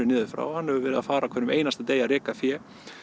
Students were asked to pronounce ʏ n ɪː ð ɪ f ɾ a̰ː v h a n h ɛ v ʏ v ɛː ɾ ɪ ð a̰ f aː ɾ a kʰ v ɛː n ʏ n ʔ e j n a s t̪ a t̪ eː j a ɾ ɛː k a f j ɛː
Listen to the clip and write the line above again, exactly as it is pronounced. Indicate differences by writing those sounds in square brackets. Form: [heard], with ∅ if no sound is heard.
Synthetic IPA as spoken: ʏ n ɪː ð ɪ f ɾ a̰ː [w] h a n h ɛ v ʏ v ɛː ɾ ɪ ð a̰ f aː ɾ a kʰ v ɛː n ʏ [m] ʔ e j n a s t̪ a t̪ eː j a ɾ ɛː k a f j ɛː